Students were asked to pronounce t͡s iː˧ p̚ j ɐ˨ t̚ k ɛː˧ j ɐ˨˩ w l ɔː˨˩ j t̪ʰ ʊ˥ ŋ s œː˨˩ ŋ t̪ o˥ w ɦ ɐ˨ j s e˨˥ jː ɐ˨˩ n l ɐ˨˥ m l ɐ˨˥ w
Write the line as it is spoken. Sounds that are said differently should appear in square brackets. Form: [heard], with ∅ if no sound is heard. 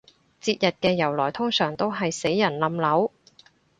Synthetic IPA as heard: t͡s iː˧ [t̚] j ɐ˨ t̚ k ɛː˧ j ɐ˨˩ w l ɔː˨˩ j t̪ʰ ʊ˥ ŋ s œː˨˩ ŋ t̪ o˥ w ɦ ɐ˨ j s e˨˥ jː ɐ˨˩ n l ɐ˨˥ m l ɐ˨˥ w